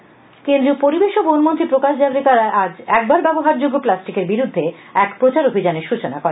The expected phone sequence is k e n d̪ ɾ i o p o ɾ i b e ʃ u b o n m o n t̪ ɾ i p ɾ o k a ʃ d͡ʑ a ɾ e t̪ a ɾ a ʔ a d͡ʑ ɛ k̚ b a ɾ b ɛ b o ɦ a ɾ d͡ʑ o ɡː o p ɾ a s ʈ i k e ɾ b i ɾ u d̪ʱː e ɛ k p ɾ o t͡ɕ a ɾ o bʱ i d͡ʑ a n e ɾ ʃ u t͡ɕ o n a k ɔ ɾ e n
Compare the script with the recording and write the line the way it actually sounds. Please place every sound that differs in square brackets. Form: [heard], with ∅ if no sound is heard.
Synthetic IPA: k e n d̪ ɾ i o p o ɾ i b e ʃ [o] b o n m o n t̪ ɾ i p ɾ o k a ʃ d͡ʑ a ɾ e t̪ a ɾ a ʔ a d͡ʑ ɛ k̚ b a ɾ b ɛ b o ɦ a ɾ d͡ʑ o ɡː o p [l] a s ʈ i k e ɾ b i ɾ u d̪ʱː e ɛ k p ɾ o t͡ɕ a ɾ o bʱ i d͡ʑ a n e ɾ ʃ u t͡ɕ o n a k ɔ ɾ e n